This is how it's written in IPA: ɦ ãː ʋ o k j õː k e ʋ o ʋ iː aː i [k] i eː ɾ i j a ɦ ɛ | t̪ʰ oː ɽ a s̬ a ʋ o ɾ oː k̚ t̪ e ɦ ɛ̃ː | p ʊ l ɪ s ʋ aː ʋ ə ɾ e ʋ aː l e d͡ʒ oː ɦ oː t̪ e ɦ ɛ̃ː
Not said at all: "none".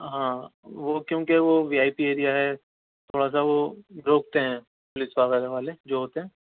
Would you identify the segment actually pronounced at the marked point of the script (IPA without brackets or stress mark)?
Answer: p